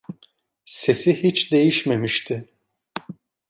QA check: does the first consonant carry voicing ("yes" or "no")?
no